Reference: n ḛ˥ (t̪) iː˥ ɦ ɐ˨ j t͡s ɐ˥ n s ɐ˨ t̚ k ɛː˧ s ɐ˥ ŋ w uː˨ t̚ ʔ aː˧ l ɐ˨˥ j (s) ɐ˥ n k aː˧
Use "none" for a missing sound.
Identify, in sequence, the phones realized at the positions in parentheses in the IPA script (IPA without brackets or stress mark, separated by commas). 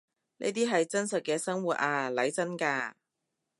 t̪, t͡s